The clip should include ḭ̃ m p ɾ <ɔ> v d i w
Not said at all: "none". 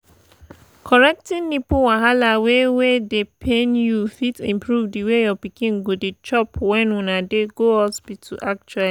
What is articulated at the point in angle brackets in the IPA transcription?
u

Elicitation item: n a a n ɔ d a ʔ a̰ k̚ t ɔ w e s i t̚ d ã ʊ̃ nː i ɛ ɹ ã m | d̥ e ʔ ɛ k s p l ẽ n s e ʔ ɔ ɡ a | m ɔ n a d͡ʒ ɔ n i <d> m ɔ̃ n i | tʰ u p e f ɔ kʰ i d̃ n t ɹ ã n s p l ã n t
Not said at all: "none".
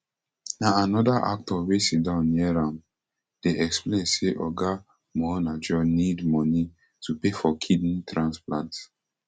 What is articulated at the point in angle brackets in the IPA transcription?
d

